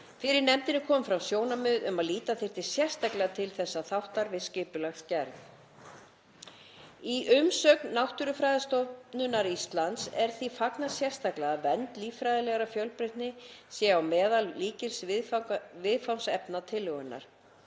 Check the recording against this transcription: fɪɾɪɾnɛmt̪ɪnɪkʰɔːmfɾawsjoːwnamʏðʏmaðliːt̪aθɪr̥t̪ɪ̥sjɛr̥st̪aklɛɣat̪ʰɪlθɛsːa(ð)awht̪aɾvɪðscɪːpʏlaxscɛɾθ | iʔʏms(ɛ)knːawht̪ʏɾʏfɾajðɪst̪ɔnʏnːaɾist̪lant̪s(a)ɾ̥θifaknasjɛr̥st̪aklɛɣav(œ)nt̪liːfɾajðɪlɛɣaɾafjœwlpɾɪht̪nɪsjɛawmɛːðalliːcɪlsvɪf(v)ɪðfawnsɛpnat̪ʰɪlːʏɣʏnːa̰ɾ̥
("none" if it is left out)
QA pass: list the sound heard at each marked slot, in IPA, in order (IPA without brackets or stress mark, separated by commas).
θ, œ, ɛ, ɛ, v